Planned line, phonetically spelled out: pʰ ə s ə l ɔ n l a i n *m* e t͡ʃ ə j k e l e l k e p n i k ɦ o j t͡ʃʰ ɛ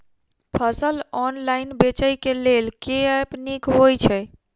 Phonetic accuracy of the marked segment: incorrect: b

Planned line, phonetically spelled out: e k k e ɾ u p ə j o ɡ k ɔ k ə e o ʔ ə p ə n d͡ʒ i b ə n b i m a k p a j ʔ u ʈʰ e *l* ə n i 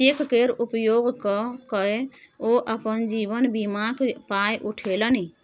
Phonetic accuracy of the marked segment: correct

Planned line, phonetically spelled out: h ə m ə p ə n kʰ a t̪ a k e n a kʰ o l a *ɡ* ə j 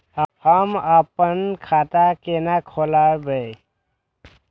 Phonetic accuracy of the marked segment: incorrect: b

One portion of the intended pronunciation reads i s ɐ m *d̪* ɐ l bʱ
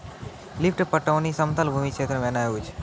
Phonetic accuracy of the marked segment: incorrect: t̪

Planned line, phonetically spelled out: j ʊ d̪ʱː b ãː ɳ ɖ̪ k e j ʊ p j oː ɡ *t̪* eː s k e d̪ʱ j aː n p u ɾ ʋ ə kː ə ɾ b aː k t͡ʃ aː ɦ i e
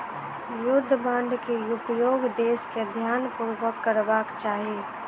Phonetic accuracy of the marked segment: incorrect: d̪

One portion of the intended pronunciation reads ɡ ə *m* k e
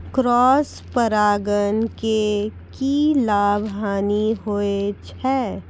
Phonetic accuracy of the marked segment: incorrect: n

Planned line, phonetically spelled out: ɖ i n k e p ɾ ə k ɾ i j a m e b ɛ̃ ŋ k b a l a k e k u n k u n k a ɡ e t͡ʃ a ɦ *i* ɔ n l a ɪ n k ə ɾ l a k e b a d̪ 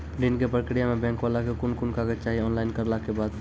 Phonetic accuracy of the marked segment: correct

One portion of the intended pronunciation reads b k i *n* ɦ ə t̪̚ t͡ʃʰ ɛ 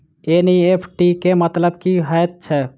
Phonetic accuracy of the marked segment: incorrect: none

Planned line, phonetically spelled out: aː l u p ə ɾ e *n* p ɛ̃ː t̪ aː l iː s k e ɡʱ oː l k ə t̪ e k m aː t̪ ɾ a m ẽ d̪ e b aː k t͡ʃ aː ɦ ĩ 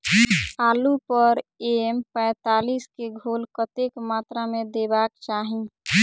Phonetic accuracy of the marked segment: incorrect: m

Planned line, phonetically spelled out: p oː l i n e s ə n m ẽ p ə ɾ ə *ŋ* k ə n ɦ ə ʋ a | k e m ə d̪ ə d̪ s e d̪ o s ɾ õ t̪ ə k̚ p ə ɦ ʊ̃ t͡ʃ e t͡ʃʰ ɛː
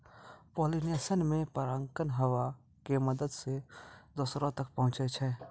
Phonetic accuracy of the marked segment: correct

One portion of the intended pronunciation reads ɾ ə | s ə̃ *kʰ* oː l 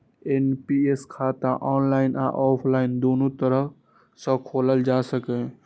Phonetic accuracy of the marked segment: correct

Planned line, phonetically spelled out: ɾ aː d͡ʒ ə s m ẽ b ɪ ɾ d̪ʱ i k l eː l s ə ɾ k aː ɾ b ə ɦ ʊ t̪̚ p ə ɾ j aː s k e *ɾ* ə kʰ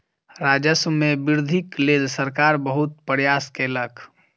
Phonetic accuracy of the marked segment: incorrect: l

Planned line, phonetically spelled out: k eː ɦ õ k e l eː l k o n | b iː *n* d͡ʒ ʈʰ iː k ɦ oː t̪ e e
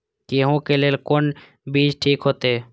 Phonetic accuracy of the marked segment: incorrect: none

